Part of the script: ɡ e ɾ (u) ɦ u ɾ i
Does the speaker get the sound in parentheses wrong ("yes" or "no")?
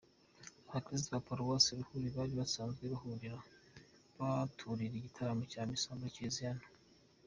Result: no